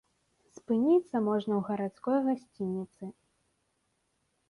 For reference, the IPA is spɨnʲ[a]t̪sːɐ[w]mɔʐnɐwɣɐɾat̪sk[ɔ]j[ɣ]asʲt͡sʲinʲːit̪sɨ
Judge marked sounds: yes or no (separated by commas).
no, no, yes, yes